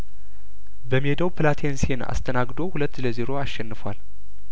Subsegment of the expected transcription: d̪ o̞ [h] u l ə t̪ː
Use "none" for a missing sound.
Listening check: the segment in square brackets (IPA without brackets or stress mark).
h